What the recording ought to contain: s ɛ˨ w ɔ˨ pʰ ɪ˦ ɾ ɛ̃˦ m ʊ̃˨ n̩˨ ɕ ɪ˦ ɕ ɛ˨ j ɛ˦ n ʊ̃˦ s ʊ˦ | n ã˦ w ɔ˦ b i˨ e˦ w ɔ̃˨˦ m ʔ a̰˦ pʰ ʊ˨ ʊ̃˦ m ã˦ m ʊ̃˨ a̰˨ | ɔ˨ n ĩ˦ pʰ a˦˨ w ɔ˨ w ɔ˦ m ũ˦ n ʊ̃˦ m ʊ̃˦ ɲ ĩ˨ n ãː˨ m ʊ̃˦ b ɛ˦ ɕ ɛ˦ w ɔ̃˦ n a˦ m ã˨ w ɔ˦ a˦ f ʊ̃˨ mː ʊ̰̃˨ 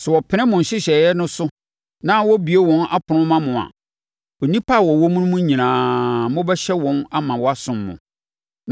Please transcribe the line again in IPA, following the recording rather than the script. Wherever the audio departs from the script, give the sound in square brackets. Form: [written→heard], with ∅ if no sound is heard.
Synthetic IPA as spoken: s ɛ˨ w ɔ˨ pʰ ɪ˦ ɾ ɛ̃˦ m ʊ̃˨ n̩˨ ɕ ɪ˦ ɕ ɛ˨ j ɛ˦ n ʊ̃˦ s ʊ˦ | n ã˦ w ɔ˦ b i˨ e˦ w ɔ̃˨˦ [m→n] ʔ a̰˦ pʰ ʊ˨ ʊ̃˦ m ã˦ m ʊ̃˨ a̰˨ | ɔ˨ n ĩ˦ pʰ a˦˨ w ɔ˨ w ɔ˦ m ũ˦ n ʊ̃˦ m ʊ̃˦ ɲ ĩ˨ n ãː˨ m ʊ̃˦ b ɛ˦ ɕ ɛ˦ w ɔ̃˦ n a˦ m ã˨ w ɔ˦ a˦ [f→s] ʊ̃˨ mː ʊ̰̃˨